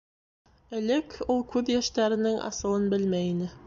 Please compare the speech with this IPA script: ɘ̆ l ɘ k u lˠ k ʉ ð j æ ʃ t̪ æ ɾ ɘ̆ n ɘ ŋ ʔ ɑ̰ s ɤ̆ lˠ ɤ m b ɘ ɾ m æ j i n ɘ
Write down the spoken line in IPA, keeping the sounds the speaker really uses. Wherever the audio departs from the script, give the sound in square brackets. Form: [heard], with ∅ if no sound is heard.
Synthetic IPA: ɘ̆ l ɘ k u lˠ k ʉ ð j æ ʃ t̪ æ ɾ ɘ̆ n ɘ ŋ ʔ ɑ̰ s ɤ̆ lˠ ɤ [n] b ɘ [l] m æ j i n ɘ